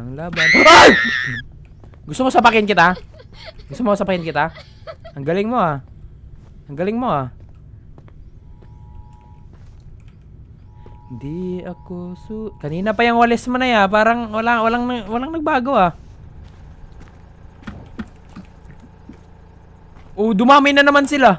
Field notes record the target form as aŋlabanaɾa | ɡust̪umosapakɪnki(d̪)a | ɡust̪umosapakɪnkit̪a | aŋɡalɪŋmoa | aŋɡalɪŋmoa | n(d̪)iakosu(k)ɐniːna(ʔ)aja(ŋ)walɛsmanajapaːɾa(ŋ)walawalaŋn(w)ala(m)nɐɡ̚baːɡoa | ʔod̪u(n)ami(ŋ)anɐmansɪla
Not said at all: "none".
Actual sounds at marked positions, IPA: t̪, d̪, k, p, ŋ, ŋ, w, ŋ, m, n

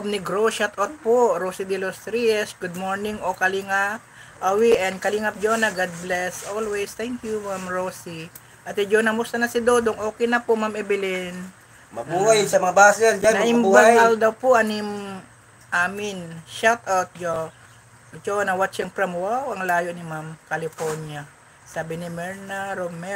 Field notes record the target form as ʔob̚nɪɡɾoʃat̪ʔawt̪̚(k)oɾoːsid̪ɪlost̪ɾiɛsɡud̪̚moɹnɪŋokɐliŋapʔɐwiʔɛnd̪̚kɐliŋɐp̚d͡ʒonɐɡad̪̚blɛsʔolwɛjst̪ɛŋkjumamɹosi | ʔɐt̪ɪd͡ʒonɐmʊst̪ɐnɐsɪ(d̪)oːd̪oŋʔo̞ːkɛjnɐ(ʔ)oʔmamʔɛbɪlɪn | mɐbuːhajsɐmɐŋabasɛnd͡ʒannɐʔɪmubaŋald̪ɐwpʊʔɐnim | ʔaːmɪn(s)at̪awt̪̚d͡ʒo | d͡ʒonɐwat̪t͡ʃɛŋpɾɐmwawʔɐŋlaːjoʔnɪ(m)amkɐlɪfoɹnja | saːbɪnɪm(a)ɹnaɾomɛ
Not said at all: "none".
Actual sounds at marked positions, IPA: p, d̪, p, ʃ, m, ɛ

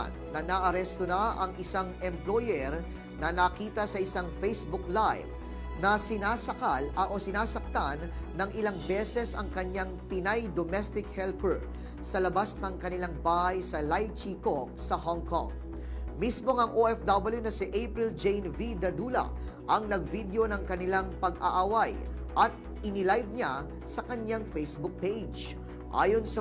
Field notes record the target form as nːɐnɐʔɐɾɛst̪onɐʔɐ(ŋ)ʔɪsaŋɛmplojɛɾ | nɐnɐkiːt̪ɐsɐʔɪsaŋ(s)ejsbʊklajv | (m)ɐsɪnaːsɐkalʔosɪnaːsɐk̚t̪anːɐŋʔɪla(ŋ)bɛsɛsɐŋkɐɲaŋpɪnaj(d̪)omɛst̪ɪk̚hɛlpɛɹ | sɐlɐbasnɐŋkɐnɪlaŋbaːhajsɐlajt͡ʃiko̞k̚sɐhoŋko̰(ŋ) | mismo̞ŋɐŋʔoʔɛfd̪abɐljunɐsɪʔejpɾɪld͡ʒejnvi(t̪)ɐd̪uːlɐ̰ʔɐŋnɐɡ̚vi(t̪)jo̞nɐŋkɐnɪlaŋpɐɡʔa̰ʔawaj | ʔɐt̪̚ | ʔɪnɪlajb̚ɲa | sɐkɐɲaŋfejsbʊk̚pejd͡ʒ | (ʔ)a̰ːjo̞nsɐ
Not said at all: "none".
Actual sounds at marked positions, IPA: ŋ, f, n, ŋ, d̪, ŋ, d̪, d̪, ʔ

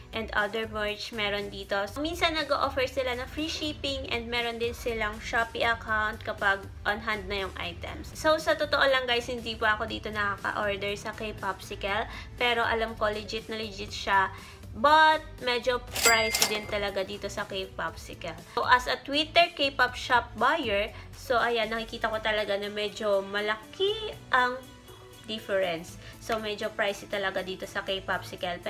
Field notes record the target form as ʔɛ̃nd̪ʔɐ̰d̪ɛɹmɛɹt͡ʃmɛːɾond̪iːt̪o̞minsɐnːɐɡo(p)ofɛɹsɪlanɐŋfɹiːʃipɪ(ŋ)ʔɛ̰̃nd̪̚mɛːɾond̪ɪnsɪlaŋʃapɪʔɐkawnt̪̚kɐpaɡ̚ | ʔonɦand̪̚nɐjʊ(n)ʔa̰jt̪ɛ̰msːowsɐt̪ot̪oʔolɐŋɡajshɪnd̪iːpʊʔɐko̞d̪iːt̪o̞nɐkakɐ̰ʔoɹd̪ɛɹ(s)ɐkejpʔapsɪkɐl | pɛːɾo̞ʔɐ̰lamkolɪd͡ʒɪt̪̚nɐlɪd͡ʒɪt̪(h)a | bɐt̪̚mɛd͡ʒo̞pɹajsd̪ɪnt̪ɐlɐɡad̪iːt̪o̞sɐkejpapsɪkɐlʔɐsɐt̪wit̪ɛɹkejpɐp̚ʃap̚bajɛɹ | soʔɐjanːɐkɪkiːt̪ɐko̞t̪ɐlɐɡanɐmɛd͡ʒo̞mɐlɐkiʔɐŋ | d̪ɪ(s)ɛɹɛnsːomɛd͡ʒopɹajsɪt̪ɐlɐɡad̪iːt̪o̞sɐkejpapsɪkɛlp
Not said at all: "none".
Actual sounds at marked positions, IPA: ʔ, ŋ, ŋ, s, ʃ, f

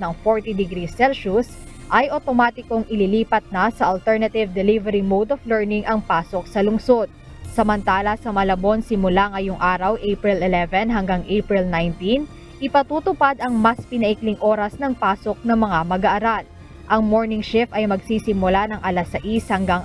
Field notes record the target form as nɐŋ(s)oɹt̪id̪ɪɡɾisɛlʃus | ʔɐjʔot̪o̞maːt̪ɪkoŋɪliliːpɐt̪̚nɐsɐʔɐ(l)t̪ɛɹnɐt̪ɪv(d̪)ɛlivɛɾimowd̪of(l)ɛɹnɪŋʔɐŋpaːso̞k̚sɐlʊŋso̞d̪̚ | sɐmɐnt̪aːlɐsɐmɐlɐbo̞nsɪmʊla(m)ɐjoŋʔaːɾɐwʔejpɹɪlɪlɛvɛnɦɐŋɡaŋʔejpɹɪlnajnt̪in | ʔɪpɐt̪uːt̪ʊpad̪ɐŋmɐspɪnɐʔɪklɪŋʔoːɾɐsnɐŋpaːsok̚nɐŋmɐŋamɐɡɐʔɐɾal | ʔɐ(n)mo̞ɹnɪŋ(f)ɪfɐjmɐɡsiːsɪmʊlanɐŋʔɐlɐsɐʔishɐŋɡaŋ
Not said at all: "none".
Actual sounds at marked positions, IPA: f, l, d̪, l, ŋ, ŋ, ʃ

